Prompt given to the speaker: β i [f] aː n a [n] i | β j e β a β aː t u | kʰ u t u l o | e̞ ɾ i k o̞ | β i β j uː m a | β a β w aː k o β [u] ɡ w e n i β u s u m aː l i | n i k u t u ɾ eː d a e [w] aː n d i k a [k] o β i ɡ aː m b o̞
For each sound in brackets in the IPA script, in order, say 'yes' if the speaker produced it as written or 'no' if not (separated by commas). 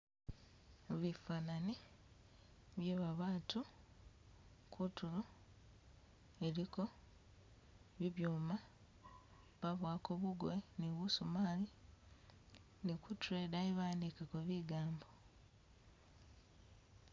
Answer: yes, yes, yes, no, yes